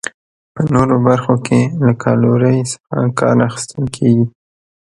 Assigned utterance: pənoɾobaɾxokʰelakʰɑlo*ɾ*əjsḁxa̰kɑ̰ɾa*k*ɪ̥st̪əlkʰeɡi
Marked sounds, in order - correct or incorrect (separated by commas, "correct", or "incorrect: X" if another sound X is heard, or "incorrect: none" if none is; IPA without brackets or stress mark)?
correct, incorrect: x